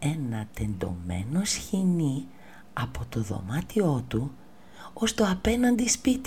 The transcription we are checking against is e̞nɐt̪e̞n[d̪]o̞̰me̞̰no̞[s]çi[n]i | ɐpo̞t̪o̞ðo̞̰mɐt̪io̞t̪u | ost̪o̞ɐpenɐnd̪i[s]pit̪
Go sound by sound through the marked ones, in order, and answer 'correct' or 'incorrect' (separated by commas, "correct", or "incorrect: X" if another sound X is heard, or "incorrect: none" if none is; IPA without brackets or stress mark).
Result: correct, correct, correct, correct